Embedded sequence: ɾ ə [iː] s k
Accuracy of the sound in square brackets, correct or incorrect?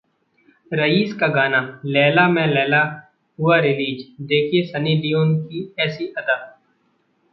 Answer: correct